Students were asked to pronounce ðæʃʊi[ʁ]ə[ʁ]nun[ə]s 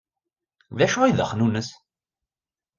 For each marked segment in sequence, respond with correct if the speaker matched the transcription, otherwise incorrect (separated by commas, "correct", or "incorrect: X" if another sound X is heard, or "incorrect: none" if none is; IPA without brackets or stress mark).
incorrect: ð, incorrect: χ, correct